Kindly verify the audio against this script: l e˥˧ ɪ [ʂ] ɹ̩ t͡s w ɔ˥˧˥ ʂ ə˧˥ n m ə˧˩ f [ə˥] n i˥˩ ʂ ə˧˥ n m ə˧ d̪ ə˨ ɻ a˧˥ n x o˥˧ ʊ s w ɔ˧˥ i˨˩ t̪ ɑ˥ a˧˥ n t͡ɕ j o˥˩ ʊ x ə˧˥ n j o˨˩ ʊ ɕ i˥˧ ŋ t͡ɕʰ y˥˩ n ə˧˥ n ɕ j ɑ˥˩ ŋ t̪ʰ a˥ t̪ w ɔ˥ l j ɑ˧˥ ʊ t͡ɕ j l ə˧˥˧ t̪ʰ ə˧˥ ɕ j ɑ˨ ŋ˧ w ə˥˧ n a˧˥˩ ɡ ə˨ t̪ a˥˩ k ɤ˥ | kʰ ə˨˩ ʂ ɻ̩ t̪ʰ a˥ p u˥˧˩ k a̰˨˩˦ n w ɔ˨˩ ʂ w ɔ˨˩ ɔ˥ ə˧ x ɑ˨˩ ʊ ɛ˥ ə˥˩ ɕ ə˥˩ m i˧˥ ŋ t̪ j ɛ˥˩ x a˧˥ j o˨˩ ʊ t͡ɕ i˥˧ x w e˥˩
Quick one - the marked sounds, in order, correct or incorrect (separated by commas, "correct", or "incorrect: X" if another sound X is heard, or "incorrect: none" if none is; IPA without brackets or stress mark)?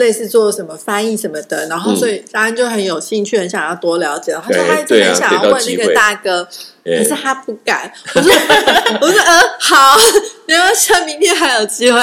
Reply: incorrect: s, incorrect: a˥